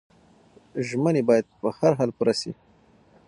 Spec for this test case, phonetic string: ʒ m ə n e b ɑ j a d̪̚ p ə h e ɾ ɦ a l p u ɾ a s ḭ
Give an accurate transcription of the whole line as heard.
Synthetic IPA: ʒ m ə n e b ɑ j a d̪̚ p ə h a ɾ ɦ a l p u ɾ a s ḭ